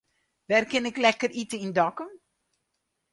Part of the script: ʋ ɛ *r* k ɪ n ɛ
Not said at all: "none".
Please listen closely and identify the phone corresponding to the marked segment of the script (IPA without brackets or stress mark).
r